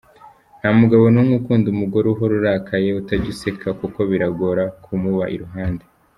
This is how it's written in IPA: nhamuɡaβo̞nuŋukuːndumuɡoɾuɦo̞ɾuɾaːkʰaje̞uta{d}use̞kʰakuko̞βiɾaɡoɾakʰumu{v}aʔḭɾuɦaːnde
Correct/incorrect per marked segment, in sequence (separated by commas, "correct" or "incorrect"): incorrect, incorrect